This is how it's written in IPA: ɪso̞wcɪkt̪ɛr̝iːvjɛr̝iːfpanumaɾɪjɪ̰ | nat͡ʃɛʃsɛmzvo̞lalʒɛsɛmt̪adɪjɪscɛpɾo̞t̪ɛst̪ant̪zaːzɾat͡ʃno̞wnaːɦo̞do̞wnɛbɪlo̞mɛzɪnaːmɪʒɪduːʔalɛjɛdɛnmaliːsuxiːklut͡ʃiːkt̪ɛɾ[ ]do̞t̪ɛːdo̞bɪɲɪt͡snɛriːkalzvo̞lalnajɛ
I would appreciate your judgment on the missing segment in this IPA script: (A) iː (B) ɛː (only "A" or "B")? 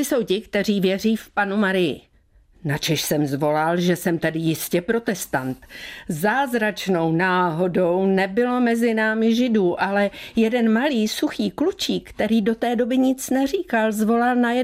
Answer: A